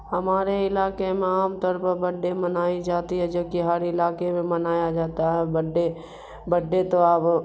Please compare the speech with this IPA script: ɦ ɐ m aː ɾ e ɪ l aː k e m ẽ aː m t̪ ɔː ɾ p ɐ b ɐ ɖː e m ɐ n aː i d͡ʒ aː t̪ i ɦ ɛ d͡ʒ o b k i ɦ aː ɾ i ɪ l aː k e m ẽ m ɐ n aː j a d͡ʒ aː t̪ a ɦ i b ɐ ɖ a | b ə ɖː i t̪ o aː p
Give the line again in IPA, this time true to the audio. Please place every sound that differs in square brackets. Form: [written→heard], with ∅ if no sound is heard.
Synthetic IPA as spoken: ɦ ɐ m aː ɾ e ɪ l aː k e m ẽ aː m t̪ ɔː ɾ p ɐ b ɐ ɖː e m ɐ n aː i d͡ʒ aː t̪ i ɦ ɛ d͡ʒ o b k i ɦ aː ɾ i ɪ l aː k e m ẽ m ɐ n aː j a d͡ʒ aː t̪ a ɦ [i→ɛ] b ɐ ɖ [a→e] | b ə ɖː [i→e] t̪ o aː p